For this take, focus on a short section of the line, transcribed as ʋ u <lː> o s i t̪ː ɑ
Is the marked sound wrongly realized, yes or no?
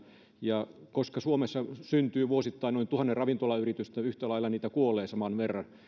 yes